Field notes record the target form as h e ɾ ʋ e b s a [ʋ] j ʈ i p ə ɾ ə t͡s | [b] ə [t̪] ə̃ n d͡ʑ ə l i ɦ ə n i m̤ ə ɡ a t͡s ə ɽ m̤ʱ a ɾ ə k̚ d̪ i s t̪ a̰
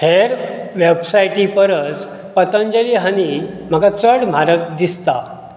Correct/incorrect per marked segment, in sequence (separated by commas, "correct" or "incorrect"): incorrect, incorrect, correct